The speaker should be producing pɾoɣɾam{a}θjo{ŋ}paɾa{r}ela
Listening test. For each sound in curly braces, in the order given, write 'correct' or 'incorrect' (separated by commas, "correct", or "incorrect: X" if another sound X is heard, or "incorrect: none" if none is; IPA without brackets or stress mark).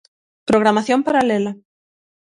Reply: correct, incorrect: m, incorrect: l